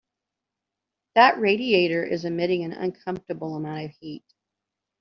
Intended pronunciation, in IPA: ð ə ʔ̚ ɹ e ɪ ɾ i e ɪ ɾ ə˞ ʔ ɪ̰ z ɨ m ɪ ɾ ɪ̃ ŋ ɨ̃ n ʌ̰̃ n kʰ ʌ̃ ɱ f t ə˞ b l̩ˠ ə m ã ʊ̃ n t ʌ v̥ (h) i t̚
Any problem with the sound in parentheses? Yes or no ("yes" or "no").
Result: no